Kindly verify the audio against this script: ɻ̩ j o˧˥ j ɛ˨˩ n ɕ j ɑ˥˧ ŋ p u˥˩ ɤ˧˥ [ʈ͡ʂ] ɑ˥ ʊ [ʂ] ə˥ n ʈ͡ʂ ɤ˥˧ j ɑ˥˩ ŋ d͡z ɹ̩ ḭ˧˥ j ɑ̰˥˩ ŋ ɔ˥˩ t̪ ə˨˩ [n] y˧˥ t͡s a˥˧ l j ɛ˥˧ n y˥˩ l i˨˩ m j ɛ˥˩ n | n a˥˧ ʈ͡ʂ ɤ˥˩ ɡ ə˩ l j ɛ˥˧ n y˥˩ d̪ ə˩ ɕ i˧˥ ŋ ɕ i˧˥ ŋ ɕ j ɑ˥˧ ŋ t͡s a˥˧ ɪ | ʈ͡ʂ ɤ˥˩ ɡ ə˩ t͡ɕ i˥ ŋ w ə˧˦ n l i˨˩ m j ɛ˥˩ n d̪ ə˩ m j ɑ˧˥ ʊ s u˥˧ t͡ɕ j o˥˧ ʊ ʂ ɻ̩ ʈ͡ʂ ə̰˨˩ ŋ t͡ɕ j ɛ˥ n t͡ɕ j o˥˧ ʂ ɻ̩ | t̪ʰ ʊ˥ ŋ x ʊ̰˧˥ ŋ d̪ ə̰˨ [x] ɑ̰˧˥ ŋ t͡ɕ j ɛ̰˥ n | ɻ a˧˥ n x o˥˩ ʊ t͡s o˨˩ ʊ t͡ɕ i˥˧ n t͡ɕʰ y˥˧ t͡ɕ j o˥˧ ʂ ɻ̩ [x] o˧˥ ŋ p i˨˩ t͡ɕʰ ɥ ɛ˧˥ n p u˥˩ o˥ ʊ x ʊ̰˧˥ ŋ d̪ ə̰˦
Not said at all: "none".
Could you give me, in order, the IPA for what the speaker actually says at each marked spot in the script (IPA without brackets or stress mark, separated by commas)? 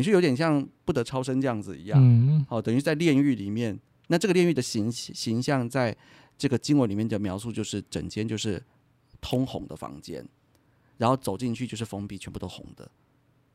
ʈ͡ʂʰ, ʂ, ŋ, f, f